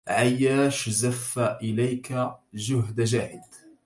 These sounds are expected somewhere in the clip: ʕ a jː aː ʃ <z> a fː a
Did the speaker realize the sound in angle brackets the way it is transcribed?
yes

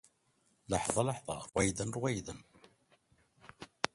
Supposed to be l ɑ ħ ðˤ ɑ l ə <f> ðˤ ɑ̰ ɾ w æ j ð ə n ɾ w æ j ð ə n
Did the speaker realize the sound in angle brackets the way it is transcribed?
no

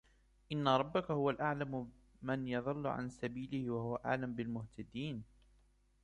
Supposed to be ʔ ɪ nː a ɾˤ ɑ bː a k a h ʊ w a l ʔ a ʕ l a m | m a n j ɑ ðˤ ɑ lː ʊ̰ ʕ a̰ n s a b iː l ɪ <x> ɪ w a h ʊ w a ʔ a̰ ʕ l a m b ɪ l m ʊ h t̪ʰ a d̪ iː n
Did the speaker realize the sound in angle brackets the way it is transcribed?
no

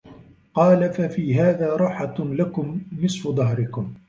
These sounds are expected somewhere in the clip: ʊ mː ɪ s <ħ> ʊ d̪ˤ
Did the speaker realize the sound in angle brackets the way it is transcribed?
no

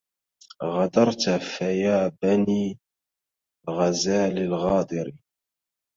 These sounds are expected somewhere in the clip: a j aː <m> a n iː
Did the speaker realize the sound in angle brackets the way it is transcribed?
no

